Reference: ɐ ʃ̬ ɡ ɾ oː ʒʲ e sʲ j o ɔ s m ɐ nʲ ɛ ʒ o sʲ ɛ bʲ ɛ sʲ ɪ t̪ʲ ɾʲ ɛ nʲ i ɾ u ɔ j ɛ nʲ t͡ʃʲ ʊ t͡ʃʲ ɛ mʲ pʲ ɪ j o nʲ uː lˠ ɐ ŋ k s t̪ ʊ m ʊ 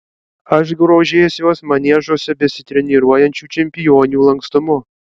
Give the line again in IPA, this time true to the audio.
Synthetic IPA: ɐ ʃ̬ ɡ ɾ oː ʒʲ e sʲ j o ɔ s m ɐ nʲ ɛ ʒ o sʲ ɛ bʲ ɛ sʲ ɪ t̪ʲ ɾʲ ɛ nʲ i ɾ u ɔ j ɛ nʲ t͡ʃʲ u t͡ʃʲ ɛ mʲ pʲ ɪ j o nʲ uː lˠ ɐ ŋ k s t̪ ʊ m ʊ